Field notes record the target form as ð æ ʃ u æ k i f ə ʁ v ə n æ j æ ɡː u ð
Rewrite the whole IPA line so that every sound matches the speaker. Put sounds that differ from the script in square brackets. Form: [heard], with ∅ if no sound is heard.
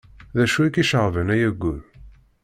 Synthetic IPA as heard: ð æ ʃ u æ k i [ʃ] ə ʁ v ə n æ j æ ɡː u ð